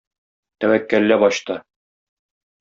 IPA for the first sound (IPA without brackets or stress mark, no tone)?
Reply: t̪